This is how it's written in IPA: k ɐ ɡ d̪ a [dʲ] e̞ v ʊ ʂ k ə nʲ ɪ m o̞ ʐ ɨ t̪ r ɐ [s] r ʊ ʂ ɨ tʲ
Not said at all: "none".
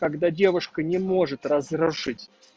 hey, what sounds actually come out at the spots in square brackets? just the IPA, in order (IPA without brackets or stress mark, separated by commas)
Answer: dʲ, z